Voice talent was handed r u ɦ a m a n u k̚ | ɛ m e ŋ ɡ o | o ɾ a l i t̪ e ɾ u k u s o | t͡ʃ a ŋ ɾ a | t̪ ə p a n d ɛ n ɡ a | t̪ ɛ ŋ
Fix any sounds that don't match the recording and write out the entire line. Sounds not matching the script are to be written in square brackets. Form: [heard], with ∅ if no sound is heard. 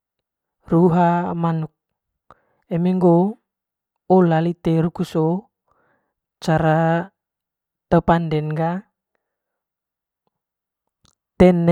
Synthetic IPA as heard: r u ɦ a m a n u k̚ | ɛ m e ŋ ɡ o | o [l] a l i t̪ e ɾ u k u s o | t͡ʃ a [∅] ɾ a | t̪ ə p a n d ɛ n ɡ a | t̪ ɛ [n]

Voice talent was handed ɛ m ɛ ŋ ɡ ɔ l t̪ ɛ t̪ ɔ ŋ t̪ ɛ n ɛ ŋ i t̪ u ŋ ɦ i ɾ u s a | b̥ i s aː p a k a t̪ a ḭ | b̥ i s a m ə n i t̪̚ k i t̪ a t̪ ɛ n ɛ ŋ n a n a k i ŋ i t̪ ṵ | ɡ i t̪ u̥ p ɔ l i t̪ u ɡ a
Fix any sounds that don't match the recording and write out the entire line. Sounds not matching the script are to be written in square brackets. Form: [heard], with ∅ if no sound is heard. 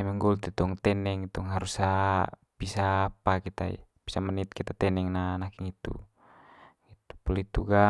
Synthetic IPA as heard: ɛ m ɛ ŋ ɡ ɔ l t̪ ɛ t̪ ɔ ŋ t̪ ɛ n ɛ ŋ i t̪ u ŋ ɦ [a] ɾ u s a | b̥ i s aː p a k [i] t̪ a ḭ | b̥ i s a m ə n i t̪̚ k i t̪ a t̪ ɛ n ɛ ŋ n a n a k i ŋ i t̪ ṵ | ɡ i t̪ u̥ p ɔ l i t̪ u ɡ a

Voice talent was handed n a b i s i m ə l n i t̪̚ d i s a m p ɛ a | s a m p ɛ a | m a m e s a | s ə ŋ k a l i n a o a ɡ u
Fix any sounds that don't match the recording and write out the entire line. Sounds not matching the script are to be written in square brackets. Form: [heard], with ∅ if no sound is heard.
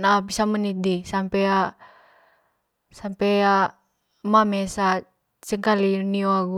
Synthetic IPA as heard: n a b i s [a] m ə [∅] n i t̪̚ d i s a m p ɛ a | s a m p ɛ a | m a m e s a | s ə ŋ k a l i n [i] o a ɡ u

